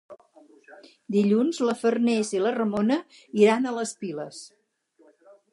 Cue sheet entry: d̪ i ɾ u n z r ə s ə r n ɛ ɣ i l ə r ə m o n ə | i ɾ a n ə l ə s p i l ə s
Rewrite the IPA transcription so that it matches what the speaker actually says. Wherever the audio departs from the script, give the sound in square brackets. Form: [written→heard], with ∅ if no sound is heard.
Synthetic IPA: d̪ i [ɾ→ʎ] u n z [r→l] ə [s→f] ə r n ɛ [ɣ→z] i l ə r ə m o n ə | i ɾ a n ə l ə s p i l ə s